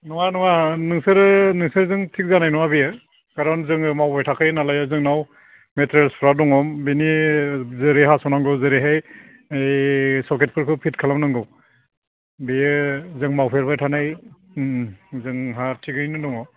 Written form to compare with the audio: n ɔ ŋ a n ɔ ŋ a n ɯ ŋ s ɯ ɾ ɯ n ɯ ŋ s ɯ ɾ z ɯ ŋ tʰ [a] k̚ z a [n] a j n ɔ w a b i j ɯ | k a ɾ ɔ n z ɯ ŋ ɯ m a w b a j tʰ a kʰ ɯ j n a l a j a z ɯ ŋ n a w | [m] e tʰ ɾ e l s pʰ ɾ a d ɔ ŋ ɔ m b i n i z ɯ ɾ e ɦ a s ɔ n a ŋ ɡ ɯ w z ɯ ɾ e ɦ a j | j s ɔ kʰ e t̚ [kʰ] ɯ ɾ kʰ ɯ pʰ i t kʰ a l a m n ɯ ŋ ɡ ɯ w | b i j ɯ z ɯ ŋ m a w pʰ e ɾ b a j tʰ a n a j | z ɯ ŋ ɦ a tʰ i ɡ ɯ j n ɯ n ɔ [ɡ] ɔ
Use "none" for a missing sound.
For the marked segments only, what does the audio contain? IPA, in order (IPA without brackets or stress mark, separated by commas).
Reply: i, n, m, pʰ, ŋ